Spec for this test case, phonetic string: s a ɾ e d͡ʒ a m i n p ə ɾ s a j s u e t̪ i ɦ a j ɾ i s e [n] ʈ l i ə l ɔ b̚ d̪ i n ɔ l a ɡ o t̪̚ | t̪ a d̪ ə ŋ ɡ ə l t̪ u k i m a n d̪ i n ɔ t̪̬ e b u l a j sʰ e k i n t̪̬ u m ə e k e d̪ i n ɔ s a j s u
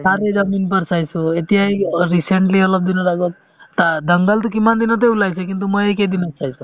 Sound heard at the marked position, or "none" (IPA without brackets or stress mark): ɳ